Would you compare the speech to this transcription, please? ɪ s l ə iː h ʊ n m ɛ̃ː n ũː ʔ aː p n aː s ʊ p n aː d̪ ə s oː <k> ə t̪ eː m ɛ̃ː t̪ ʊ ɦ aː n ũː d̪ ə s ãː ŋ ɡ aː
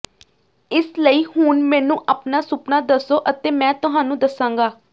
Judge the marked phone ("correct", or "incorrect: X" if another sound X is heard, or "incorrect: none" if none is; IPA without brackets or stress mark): incorrect: ʔ